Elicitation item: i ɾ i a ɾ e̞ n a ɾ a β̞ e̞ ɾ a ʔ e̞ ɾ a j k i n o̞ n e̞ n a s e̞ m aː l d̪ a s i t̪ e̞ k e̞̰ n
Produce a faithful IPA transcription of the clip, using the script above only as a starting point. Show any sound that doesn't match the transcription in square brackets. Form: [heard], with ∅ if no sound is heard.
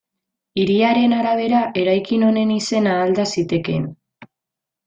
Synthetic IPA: i ɾ i a ɾ e̞ n a ɾ a β̞ e̞ ɾ a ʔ e̞ ɾ a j k i n o̞ n e̞ n [i] s e̞ [n] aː l d̪ a s i t̪ e̞ k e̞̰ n